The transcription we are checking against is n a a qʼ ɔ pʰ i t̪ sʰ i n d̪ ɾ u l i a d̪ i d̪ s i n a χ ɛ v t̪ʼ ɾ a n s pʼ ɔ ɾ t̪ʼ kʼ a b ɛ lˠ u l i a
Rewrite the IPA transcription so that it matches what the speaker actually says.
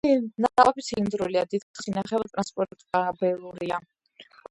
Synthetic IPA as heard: n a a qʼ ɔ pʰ i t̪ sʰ i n d̪ ɾ u l i a d̪ i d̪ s i n a χ ɛ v t̪ʼ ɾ a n s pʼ ɔ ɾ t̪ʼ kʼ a b ɛ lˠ u ɾ i a